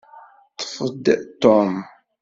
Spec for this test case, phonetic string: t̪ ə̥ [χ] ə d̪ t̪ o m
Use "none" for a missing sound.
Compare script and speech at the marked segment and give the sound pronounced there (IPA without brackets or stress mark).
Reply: f